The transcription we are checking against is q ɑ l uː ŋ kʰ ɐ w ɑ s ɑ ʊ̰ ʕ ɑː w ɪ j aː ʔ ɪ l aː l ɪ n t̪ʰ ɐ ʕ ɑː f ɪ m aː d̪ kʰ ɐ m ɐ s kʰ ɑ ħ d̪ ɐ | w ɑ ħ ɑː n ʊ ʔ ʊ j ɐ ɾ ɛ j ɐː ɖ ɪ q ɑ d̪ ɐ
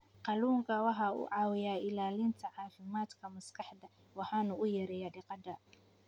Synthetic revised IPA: q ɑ l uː ŋ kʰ ɐ w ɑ ħ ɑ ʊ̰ ʕ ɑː w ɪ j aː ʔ ɪ l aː l ɪ n t̪ʰ ɐ ʕ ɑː f ɪ m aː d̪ kʰ ɐ m ɐ s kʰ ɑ ħ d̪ ɐ | w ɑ ħ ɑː n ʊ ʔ ʊ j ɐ ɾ ɛ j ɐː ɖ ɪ q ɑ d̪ ɐ